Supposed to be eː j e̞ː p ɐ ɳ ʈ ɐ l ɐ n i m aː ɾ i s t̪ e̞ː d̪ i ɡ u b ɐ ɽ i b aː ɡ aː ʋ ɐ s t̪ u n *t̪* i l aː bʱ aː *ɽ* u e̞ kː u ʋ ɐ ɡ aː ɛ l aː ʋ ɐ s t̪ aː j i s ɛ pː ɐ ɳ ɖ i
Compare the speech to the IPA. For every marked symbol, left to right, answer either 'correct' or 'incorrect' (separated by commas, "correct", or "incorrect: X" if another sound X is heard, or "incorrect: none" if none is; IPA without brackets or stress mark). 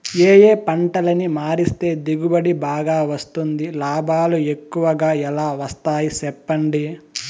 incorrect: d̪, incorrect: l